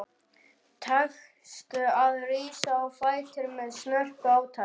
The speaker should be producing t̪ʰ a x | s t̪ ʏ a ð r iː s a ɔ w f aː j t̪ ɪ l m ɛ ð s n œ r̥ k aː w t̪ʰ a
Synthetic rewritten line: t̪ʰ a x | s t̪ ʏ a ð r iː s a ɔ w f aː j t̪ ɪ ɾ m ɛ ð s n œ r̥ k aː w t̪ʰ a